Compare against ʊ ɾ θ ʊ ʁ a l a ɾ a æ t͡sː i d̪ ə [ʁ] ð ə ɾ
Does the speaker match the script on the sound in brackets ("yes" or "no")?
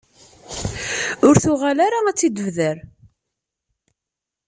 no